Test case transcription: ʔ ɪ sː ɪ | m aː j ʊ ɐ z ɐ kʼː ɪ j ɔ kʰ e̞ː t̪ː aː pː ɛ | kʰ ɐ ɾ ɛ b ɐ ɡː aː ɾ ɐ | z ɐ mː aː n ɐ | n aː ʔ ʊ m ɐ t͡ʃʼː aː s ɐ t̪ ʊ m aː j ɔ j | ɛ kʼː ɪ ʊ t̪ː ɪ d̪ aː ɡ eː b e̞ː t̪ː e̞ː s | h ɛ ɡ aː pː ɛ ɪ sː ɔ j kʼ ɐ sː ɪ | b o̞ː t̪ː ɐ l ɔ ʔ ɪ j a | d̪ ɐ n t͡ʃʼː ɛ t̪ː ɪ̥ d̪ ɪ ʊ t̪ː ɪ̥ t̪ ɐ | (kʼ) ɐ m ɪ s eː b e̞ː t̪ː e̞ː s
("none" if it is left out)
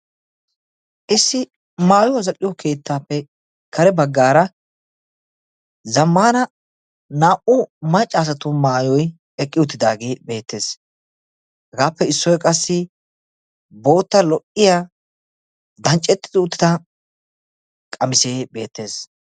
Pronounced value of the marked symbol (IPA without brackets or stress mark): kʼ